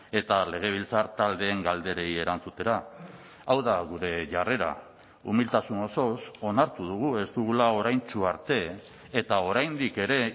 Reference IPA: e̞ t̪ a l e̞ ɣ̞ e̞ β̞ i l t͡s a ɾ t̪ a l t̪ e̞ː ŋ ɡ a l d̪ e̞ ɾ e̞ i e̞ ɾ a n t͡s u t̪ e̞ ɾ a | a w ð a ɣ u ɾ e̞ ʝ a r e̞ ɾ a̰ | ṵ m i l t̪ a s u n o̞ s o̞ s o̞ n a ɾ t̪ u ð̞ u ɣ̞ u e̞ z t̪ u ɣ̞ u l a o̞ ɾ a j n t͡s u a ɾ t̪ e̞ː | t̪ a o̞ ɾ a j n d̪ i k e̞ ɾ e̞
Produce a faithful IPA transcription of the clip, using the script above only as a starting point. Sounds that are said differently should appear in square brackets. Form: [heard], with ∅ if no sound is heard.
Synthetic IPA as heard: e̞ t̪ a l e̞ ɣ̞ e̞ β̞ i l t͡s a ɾ t̪ a l [d̪] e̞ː ŋ ɡ a l d̪ e̞ ɾ e̞ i e̞ ɾ a n t͡s u t̪ e̞ ɾ a | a w ð a ɣ u ɾ e̞ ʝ a r e̞ ɾ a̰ | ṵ m i l t̪ a s u n o̞ s o̞ s o̞ n a ɾ t̪ u ð̞ u ɣ̞ u e̞ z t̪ u ɣ̞ u l a o̞ ɾ a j n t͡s u a ɾ t̪ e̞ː | t̪ a o̞ ɾ a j n d̪ i k e̞ ɾ e̞